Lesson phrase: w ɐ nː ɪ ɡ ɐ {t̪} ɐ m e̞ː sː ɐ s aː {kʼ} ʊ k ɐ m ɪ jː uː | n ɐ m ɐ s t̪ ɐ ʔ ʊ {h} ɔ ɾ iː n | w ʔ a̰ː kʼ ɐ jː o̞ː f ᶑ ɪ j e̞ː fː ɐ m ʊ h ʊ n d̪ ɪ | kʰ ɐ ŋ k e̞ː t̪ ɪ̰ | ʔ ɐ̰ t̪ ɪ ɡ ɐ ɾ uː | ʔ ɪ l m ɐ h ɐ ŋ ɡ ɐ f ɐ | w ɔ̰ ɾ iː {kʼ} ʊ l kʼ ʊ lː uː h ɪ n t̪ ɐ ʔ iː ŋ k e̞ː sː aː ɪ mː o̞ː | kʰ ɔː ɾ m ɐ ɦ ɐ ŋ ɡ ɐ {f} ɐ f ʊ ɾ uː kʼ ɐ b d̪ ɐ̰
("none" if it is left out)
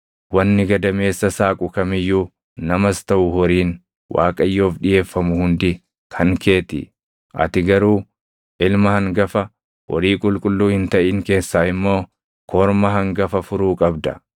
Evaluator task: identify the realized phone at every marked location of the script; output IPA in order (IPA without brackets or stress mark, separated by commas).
d̪, kʼ, h, kʼ, f